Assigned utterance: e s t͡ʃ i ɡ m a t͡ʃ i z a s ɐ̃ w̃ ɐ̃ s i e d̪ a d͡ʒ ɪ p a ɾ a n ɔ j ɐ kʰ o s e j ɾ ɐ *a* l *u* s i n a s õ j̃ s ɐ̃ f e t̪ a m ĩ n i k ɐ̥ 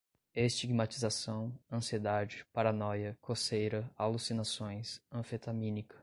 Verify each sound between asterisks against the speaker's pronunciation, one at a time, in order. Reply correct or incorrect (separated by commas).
correct, correct